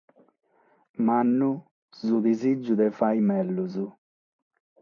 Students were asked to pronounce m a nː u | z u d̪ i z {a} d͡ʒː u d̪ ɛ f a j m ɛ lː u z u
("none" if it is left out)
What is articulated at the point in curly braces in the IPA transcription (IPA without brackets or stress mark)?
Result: i